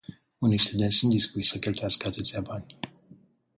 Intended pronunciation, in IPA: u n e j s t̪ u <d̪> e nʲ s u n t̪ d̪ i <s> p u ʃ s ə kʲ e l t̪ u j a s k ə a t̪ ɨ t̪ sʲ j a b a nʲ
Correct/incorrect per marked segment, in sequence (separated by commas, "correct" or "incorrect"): correct, correct